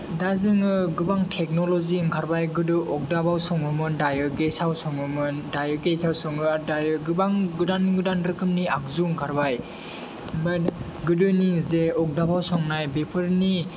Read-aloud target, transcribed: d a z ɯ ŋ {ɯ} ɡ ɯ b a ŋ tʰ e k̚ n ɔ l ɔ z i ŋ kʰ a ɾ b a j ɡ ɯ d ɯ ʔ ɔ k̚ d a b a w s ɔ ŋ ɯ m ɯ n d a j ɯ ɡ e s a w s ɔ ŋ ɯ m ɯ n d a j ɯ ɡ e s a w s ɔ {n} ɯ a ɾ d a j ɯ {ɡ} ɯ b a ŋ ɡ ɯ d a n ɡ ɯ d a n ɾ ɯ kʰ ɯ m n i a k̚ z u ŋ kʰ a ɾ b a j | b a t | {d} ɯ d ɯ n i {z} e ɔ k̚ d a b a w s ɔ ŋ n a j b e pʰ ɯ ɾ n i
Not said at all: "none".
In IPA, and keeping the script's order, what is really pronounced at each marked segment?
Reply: ɯ, ŋ, ɡ, ɡ, z

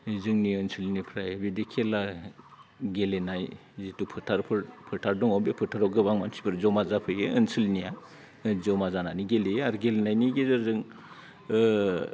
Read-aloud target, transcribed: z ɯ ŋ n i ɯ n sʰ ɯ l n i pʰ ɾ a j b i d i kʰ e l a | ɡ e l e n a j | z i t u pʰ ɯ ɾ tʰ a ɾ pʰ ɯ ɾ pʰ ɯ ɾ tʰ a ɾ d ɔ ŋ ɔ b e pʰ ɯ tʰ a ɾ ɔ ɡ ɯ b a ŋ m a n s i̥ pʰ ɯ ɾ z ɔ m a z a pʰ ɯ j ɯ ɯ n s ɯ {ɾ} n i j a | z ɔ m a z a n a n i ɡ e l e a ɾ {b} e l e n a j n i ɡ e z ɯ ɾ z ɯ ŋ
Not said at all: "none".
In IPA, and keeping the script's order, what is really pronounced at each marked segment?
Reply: l, ɡ

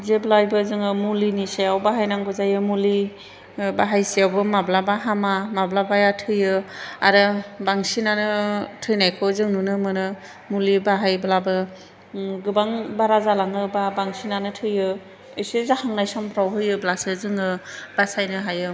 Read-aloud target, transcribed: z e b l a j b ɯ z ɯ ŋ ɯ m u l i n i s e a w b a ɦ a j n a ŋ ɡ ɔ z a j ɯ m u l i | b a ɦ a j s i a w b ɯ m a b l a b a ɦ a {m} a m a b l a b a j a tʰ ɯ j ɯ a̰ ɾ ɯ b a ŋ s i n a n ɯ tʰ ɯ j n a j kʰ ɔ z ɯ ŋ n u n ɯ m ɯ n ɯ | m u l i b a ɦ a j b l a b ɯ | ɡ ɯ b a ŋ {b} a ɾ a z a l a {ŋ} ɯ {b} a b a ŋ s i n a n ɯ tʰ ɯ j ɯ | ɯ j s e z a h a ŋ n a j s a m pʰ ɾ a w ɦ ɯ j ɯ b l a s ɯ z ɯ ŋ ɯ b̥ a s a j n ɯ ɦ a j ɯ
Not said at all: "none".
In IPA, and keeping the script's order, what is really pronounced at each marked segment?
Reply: m, b, ŋ, b

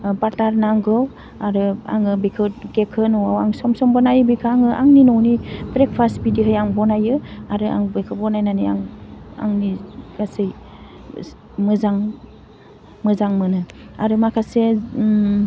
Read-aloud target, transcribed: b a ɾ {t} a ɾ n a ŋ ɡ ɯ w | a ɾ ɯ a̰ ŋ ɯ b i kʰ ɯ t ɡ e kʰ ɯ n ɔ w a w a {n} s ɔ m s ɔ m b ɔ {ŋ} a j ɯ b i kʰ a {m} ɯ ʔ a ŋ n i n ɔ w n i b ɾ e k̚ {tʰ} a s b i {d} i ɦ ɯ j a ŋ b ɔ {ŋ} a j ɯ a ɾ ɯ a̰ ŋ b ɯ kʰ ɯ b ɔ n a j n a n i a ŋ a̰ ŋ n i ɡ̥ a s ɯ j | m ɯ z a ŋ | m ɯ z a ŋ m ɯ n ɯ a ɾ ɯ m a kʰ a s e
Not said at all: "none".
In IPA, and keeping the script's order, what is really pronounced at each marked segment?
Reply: t, ŋ, n, ŋ, pʰ, d, n

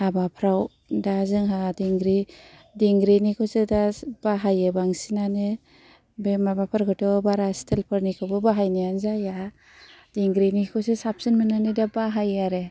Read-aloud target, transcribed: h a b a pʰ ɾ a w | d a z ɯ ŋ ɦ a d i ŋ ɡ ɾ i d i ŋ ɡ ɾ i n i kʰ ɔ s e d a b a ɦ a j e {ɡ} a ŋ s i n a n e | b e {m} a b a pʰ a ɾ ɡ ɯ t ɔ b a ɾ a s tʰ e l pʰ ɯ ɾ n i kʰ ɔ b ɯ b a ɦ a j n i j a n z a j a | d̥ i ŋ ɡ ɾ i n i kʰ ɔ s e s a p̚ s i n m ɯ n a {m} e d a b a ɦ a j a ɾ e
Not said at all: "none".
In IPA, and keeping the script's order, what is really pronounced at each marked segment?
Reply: b, m, n

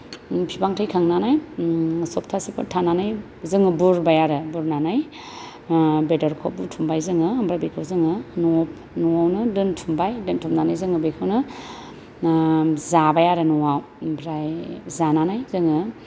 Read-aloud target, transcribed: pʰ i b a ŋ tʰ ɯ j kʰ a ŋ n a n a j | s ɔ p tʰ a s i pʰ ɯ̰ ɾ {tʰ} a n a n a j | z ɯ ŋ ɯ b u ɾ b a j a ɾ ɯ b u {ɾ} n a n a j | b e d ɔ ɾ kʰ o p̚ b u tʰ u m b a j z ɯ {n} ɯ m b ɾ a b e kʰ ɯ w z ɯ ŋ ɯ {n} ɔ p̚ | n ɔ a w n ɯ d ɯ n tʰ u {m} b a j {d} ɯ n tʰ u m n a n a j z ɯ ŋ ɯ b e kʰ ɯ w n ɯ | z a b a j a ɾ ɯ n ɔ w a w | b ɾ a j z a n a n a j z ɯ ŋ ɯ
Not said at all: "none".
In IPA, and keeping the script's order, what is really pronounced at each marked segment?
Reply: tʰ, ɾ, ŋ, n, m, d

